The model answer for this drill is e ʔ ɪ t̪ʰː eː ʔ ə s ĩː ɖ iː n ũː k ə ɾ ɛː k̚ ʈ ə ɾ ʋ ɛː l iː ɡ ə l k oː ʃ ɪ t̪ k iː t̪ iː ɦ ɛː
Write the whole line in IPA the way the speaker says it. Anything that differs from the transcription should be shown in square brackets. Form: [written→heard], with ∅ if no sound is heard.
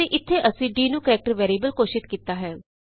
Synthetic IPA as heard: e ʔ ɪ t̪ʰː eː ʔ ə s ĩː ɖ iː n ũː k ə ɾ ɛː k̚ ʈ ə ɾ ʋ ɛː [l→ɾ] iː [ɡ→b] ə l k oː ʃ ɪ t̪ k iː t̪ [iː→aː] ɦ ɛː